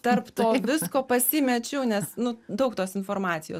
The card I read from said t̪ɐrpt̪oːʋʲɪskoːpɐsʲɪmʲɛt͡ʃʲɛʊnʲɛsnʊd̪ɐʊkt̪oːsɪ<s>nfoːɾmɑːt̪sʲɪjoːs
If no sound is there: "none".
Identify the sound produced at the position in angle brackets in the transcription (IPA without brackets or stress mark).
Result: none